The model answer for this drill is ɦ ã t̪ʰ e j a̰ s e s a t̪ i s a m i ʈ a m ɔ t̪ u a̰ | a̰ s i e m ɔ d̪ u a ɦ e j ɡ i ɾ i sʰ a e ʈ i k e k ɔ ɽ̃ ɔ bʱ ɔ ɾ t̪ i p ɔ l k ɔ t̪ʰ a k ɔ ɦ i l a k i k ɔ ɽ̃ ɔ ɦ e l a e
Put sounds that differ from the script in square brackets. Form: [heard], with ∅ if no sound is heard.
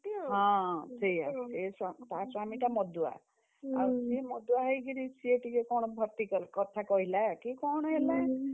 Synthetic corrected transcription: ɦ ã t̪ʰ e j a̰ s e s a t̪ [a] s a m i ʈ a m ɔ [d̪] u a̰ | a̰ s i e m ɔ d̪ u a ɦ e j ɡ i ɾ i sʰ [i] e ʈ i k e k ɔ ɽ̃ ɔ bʱ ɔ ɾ t̪ i [k] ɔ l k ɔ t̪ʰ a k ɔ ɦ i l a k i k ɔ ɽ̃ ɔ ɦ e l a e